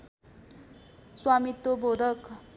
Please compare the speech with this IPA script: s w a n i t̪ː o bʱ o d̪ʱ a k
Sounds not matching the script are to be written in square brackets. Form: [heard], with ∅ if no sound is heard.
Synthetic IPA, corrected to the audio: s w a [m] i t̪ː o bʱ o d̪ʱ [ʌ] k